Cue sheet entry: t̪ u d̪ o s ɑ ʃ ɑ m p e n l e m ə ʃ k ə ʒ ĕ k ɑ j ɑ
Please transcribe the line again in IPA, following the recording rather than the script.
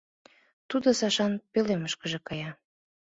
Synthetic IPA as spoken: t̪ u d̪ o s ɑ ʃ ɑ n p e l e m ə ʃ k ə ʒ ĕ k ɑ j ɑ